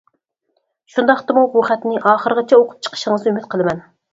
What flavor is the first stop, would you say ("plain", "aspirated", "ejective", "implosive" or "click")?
plain